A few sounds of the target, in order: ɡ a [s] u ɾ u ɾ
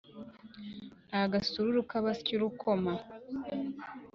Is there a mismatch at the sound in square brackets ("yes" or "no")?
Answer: no